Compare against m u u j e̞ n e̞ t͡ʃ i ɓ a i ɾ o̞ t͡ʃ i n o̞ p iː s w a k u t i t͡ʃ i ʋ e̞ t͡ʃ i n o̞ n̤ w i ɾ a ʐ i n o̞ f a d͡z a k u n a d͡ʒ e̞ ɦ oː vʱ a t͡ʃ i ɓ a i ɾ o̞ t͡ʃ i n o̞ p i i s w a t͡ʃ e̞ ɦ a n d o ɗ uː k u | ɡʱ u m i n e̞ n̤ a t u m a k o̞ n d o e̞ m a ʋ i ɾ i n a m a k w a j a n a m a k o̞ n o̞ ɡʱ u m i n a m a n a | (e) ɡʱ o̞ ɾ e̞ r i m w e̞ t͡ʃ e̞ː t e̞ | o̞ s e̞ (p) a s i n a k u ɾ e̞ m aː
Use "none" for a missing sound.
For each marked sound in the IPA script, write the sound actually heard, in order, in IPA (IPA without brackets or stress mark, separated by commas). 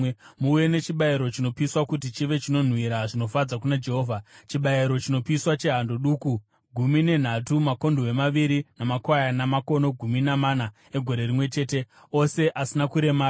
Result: e, ʔ